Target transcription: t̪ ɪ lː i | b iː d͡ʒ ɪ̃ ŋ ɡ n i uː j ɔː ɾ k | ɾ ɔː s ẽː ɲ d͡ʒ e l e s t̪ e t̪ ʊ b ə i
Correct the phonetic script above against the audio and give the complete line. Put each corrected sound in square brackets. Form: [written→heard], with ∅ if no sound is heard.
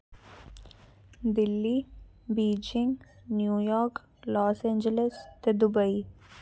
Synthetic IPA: [t̪→d̪] ɪ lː i | b iː d͡ʒ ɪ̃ ŋ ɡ n [i→j] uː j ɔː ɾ k | [ɾ→l] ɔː s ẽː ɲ d͡ʒ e l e s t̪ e [t̪→d̪] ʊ b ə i